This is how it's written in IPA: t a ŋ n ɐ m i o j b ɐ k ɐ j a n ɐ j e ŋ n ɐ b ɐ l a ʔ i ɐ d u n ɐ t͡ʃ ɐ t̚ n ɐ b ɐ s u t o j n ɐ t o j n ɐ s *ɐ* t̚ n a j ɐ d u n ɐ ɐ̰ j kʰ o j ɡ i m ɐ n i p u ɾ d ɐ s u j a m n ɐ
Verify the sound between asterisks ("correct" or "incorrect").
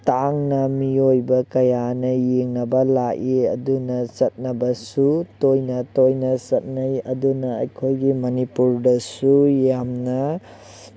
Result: correct